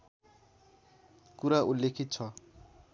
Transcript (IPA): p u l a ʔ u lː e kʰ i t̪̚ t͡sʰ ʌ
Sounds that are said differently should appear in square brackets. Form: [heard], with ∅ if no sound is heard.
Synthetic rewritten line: [k] u [ɾ] a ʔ u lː e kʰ i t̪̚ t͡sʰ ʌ

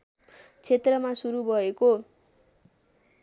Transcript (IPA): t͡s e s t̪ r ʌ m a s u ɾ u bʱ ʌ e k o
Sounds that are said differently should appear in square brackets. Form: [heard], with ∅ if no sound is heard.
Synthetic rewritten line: [t͡sʰ] e [∅] t̪ r ʌ m a s u ɾ u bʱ ʌ e k o

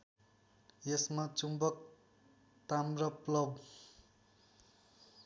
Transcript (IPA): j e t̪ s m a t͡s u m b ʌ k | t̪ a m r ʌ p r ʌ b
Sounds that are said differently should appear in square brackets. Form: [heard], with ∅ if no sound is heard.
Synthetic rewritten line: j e [∅] s m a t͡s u m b ʌ k | t̪ a m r ʌ p [l] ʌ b

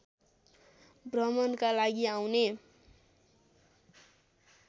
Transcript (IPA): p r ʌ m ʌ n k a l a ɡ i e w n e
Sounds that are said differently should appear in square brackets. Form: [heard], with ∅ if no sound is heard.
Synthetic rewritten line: [b] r ʌ m ʌ n k a l a ɡ i [a] w n e

